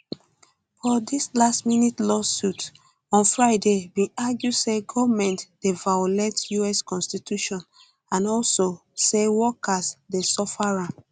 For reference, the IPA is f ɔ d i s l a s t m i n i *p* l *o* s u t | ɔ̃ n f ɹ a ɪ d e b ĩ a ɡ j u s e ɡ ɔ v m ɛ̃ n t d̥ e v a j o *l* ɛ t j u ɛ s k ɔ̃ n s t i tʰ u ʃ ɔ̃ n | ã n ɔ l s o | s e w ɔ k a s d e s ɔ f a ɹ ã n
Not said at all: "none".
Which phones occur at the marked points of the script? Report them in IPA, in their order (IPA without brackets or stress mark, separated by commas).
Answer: t, ɔ, l